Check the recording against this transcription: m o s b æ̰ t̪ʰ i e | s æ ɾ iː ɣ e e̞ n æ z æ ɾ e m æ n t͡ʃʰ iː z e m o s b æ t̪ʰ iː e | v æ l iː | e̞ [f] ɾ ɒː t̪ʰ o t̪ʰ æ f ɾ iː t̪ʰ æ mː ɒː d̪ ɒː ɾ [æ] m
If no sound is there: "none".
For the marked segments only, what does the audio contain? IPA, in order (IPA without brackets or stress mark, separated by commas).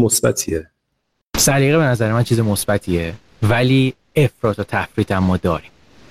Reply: f, i